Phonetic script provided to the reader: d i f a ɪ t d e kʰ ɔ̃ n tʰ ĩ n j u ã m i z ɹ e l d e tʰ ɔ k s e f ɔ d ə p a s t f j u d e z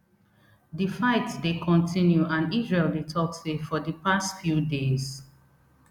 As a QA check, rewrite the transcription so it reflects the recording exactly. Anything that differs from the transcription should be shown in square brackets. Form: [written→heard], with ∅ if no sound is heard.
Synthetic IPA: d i f a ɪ t d e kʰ ɔ̃ n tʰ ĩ n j u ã [m→n] i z ɹ e l d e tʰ ɔ k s e f ɔ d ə p a s t f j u d e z

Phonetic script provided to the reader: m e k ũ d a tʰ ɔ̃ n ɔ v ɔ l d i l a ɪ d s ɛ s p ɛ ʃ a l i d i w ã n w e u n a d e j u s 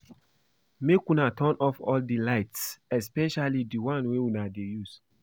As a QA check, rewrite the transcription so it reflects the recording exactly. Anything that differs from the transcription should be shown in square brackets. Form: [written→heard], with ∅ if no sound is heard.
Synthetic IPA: m e k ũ [d→n] a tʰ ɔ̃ n ɔ [v→f] ɔ l d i l a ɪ [d→t] s ɛ s p ɛ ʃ a l i d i w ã n w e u n a d e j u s

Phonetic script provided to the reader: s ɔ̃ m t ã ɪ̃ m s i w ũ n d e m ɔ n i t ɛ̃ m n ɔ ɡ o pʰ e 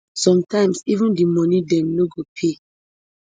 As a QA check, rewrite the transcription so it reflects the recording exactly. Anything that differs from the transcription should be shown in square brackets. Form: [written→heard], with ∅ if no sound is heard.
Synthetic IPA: s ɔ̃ m t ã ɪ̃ m s i [w→v] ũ n d [e→i] m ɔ n i [t→d] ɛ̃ m n [ɔ→o] ɡ o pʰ e

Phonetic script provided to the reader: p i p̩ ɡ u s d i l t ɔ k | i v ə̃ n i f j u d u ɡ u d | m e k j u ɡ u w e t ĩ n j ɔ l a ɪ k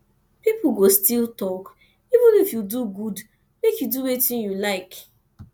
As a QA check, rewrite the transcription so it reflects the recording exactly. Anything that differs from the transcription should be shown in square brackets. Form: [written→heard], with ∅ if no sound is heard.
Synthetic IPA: p i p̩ ɡ [u→o] s [d→t] i l t ɔ k | i v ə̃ n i f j u d u ɡ u d | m e k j u [ɡ→d] u w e t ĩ n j [ɔ→u] l a ɪ k

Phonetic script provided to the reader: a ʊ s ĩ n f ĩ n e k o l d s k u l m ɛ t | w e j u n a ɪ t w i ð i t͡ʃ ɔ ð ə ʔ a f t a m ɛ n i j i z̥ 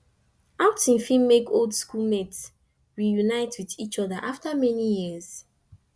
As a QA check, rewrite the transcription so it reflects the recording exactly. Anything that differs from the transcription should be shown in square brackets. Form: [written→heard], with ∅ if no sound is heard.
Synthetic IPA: a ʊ [s→t] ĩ n f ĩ [n→m] e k o l d s k u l m ɛ t | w [e→i] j u n a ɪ t w i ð i t͡ʃ ɔ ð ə ʔ a f t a m ɛ n i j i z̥

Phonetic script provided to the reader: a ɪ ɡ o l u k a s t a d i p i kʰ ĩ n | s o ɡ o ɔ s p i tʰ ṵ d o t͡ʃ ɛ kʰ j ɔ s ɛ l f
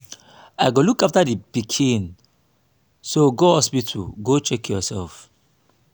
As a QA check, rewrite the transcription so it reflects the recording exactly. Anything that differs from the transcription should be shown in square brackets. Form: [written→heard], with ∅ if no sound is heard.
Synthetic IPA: a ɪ ɡ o l u k a [s→f] t a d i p i kʰ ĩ n | s o ɡ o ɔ s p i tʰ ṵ [d→ɡ] o t͡ʃ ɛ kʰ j ɔ s ɛ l f

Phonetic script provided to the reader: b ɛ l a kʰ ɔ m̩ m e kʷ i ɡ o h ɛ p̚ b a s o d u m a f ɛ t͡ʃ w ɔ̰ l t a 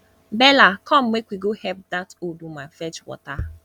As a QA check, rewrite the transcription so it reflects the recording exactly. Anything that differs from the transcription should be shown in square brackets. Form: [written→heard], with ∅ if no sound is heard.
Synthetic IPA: b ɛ l a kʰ ɔ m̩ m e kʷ i ɡ o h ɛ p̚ [b→d] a [s→t] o d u m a f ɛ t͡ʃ w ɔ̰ [l→∅] t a

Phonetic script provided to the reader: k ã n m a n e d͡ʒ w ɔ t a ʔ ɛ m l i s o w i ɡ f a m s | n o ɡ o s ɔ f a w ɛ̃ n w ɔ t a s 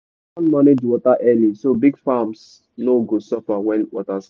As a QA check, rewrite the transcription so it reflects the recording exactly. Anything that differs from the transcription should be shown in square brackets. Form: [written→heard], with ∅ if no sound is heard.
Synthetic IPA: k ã n m a n e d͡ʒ w ɔ t a ʔ ɛ [m→∅] l i s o [w→b] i ɡ f a m s | n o ɡ o s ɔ f a w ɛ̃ n w ɔ t a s

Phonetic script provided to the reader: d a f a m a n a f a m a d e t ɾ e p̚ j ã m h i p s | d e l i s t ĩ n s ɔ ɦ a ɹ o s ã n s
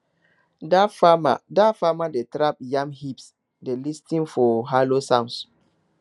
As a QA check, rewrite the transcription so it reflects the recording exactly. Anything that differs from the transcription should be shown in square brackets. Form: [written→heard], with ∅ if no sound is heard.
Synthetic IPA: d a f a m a [n→d] a f a m a d e t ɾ [e→a] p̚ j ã m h i p s | d e l i s t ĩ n [s→f] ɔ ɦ a [ɹ→l] o s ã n s

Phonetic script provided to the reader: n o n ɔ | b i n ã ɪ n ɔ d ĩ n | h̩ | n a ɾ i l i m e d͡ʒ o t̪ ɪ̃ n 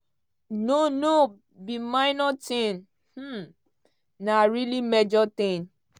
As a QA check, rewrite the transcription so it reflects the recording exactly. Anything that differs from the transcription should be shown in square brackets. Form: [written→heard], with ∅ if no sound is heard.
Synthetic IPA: n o n [ɔ→o] | b i [n→m] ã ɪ n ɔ [d→t] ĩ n | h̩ | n a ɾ i l i m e d͡ʒ [o→ɔ] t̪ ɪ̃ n

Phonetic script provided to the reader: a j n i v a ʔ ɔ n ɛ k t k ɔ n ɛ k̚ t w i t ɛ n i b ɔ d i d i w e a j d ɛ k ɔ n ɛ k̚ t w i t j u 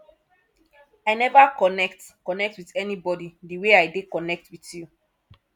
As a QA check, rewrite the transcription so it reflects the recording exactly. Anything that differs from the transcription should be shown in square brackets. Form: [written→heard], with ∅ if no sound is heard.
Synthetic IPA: a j n [i→ɛ] v a [ʔ→k] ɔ n ɛ k t k ɔ n ɛ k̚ t w i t ɛ n i b ɔ d i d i w e a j d [ɛ→e] k ɔ n ɛ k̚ t w i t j u

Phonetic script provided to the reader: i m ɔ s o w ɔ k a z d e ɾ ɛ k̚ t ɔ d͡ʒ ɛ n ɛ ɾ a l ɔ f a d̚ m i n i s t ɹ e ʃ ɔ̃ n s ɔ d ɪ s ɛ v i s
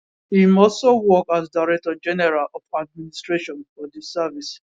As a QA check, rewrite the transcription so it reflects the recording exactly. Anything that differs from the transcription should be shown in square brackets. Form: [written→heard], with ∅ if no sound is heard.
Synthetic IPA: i m ɔ s o w ɔ k a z d [e→a] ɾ ɛ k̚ t ɔ d͡ʒ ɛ n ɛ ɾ a l ɔ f a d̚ m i n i s t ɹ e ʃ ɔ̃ n [s→f] ɔ d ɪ s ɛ v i s

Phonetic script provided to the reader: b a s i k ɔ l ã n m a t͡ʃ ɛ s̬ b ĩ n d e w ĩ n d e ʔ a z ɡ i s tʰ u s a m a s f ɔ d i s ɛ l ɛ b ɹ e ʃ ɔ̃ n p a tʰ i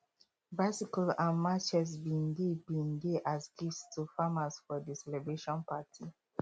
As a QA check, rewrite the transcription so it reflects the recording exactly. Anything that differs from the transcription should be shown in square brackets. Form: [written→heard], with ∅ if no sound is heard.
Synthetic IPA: b a s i k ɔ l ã n m a t͡ʃ ɛ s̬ b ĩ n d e [w→b] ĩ n d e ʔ a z ɡ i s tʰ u [s→f] a m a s f ɔ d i s ɛ l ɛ b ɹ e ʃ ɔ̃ n p a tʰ i

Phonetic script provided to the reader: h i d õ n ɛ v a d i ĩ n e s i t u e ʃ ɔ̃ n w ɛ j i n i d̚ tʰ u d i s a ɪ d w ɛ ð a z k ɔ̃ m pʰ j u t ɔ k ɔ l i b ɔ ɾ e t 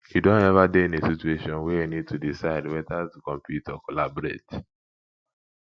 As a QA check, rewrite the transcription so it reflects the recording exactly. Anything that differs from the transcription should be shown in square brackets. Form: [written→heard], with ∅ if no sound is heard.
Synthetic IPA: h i d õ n ɛ v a d [i→e] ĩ n e s i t u e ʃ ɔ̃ n w ɛ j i n i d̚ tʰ u d i s a ɪ d w ɛ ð a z k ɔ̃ m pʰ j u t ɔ k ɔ l [i→a] b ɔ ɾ e t

